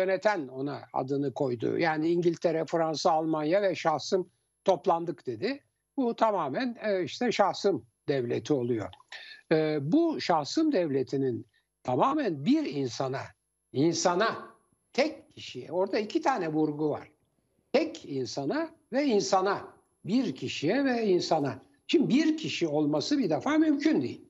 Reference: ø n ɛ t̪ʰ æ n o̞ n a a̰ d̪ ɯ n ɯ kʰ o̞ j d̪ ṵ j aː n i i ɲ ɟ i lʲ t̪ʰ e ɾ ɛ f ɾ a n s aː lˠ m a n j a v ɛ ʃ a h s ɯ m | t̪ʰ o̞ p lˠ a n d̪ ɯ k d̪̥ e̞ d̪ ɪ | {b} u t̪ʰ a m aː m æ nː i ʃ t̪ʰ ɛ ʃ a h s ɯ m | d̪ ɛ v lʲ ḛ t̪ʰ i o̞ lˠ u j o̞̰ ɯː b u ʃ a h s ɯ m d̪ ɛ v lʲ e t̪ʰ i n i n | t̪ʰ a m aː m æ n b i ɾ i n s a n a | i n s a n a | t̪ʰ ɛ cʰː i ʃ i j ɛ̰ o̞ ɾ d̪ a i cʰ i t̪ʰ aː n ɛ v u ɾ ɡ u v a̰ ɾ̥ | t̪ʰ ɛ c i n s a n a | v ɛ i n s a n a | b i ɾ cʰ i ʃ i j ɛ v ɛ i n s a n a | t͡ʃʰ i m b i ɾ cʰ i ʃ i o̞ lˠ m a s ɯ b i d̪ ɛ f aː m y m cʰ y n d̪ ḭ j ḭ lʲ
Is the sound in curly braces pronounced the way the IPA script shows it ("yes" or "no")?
yes